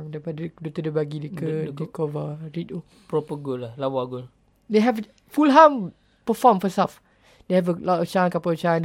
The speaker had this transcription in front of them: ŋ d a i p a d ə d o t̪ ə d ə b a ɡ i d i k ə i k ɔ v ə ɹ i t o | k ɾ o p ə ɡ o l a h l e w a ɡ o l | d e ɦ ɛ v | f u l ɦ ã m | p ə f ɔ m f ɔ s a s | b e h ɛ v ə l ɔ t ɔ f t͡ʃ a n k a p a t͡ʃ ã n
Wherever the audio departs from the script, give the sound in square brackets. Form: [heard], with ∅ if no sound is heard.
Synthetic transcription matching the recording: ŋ d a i p a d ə d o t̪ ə d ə b a ɡ i d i k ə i k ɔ v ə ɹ i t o | [p] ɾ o p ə ɡ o l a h l [a] w a ɡ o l | d e ɦ ɛ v | f u l ɦ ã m | p ə f ɔ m f ɔ s a [f] | [d] e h ɛ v ə l ɔ t ɔ f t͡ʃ a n k a p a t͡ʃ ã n